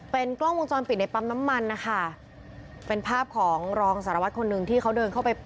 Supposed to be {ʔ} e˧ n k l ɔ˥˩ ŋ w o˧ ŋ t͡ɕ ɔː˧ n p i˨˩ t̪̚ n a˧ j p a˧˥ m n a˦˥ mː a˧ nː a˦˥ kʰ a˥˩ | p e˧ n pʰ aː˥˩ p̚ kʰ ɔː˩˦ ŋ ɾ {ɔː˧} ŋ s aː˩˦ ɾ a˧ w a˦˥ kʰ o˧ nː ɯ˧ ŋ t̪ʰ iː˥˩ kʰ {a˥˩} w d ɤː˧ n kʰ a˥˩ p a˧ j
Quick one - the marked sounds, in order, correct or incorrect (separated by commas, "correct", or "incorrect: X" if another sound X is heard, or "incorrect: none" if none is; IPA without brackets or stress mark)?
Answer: incorrect: p, correct, incorrect: a˦˥